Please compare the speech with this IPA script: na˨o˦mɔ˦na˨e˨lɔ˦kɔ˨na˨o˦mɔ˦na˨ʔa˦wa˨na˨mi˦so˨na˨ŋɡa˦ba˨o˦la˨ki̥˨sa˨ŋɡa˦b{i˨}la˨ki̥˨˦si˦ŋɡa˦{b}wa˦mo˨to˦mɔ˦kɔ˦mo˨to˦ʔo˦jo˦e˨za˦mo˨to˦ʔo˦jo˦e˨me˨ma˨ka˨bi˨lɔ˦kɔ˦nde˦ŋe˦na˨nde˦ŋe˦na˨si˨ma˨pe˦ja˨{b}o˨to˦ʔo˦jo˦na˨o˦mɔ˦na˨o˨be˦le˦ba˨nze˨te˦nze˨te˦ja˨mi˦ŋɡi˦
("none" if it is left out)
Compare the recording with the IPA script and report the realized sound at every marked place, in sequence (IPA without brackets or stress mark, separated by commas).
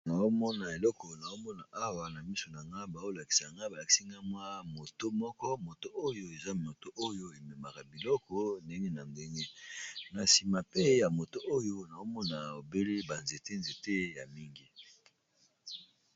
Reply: a˨, m, m